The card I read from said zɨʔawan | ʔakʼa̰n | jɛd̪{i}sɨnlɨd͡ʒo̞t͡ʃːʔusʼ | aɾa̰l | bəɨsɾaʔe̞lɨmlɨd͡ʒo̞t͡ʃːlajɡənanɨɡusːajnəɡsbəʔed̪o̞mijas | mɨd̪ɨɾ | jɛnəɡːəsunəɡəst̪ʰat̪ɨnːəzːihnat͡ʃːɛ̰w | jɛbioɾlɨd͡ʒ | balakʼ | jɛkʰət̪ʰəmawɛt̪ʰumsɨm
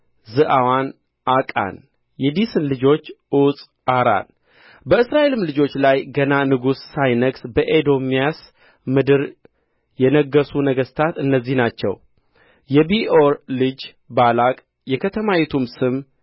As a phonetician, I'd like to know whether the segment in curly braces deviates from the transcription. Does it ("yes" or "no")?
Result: no